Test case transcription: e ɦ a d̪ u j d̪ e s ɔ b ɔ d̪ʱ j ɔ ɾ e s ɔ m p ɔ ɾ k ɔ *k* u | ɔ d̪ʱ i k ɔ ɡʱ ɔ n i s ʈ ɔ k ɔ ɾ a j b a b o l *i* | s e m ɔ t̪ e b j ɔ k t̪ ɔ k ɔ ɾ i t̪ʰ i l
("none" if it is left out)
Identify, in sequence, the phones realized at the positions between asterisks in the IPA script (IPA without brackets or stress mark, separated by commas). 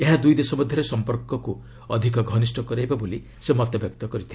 k, i